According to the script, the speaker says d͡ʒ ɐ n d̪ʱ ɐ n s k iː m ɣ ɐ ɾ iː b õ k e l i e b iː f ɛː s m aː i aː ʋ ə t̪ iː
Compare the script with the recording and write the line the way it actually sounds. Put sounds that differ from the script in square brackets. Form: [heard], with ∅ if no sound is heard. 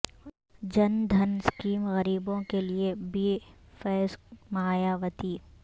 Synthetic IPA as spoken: d͡ʒ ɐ n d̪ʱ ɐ n s k iː m ɣ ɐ ɾ iː b õ k e l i e b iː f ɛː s m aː [j] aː ʋ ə t̪ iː